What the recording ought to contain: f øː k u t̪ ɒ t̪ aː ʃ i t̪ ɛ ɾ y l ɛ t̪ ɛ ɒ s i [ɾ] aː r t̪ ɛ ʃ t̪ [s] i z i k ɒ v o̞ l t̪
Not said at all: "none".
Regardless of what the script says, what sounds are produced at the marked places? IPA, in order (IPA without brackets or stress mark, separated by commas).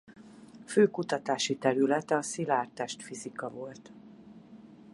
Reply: l, f